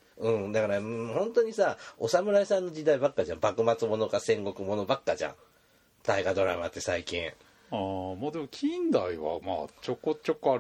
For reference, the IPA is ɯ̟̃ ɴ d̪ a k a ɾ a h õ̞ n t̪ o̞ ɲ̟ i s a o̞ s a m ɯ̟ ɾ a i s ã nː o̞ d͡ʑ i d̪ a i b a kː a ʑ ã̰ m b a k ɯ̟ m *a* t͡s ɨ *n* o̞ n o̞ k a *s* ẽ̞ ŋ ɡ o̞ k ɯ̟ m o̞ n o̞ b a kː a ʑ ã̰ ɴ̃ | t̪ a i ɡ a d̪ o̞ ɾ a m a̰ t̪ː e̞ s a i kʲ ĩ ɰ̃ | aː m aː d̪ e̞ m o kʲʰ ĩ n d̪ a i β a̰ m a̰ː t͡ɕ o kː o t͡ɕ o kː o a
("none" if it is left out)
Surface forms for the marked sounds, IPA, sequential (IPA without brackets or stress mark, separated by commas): a, m, s